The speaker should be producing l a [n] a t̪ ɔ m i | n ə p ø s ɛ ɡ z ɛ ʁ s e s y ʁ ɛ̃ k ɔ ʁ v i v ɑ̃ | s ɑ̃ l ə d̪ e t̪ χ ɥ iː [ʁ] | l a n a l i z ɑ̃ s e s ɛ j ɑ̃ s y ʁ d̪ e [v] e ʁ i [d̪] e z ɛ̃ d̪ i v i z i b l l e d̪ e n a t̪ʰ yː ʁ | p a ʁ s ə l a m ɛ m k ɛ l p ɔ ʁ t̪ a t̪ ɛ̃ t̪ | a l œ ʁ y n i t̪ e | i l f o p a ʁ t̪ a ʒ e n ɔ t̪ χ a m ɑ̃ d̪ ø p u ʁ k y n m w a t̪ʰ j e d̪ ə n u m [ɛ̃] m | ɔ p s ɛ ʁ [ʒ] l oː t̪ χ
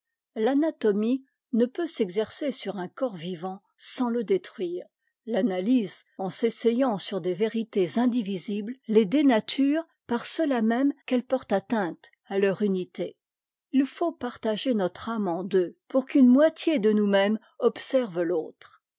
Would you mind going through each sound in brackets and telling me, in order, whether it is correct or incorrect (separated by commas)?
correct, correct, correct, incorrect, incorrect, incorrect